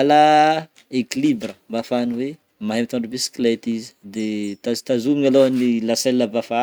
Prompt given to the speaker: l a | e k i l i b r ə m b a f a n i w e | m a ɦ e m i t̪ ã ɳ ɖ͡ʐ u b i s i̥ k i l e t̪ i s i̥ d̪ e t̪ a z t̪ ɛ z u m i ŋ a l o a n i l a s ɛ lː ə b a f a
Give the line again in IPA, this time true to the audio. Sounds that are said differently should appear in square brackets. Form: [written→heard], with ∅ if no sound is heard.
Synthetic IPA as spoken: l a | e k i l i b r ə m b a f a n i w e | m a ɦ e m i t̪ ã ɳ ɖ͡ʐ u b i s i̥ k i l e t̪ i [s→z] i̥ d̪ e t̪ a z t̪ [ɛ→a] z u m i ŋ a l o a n i l a s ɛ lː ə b a f a